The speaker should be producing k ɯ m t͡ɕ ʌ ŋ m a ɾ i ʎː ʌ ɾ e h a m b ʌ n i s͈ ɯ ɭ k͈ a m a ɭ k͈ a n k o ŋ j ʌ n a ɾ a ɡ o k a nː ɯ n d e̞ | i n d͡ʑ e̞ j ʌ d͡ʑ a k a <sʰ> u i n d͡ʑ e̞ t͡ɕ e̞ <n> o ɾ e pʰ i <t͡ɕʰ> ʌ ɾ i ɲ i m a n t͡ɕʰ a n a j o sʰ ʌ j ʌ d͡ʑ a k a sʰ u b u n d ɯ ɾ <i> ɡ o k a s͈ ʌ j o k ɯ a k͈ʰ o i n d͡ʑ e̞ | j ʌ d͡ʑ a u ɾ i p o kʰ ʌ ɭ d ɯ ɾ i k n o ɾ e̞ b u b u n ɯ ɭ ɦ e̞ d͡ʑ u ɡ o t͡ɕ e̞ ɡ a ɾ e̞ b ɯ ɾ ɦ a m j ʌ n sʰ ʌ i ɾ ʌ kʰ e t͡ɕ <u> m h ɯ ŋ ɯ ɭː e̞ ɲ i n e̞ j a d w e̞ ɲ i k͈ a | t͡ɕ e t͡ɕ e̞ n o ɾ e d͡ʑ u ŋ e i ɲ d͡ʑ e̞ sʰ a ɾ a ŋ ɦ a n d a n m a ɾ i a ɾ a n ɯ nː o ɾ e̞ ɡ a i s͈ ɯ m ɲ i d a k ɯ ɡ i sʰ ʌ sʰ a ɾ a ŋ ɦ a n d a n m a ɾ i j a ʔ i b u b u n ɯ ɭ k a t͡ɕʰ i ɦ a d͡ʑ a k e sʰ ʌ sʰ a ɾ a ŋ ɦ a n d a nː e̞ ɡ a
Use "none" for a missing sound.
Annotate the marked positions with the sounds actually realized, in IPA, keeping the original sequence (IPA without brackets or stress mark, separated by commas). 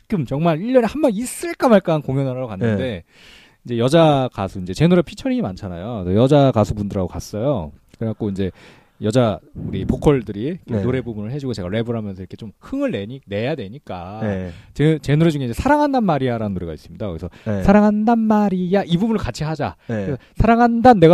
sʰ, n, t͡ɕʰ, a, o